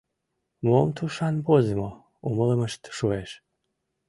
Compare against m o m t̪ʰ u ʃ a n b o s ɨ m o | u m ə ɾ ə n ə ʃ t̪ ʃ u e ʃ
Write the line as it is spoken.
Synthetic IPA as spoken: m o m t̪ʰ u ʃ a n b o z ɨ m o | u m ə l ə m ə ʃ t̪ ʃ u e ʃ

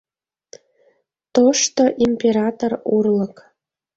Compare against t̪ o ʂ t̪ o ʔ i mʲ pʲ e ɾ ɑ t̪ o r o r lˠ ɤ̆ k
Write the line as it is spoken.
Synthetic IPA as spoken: t̪ o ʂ t̪ o ʔ i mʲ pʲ e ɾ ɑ t̪ o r u r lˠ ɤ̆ k

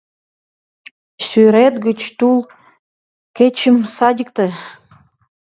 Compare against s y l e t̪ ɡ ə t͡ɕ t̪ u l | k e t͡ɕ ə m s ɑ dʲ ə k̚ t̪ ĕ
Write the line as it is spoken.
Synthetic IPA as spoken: s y ɾ e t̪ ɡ ə t͡ɕ t̪ u l | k e t͡ɕ ə m s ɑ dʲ ə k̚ t̪ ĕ

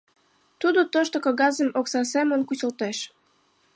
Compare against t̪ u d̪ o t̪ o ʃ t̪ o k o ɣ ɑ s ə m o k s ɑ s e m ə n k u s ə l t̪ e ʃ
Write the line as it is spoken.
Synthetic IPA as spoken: t̪ u d̪ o t̪ o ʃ t̪ o k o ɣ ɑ z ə m o k s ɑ s e m ə n k u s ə l t̪ e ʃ

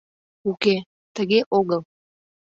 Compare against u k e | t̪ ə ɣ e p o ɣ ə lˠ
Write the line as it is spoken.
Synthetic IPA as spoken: u k e | t̪ ə ɣ e ʔ o ɣ ə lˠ

